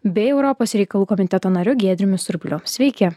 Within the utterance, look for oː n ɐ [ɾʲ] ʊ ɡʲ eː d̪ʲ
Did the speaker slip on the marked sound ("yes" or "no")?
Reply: no